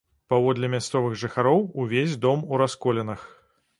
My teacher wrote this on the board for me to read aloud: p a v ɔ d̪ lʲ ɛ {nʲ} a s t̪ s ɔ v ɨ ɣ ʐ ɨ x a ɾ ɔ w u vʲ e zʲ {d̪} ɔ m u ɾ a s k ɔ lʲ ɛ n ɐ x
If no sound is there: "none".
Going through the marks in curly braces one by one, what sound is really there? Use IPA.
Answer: mʲ, d̪

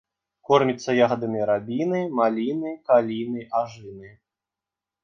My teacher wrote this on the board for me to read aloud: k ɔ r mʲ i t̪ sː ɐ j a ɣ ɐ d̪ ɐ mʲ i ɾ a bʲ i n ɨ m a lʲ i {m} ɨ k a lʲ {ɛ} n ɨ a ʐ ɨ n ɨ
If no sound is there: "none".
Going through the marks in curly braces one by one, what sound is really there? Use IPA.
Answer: n, i

